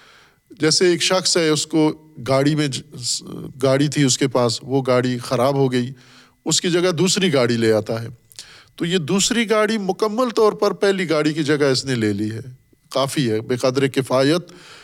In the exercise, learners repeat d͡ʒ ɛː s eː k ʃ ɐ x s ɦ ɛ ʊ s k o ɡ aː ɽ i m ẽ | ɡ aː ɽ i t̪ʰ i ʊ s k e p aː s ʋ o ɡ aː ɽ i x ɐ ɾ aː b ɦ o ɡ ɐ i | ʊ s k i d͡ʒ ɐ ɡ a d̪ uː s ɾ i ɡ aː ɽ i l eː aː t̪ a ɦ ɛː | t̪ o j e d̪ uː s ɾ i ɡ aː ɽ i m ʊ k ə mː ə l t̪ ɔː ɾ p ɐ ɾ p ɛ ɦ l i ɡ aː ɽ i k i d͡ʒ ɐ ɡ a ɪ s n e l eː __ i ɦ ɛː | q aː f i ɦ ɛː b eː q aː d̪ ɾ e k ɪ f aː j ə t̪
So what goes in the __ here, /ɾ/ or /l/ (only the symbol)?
l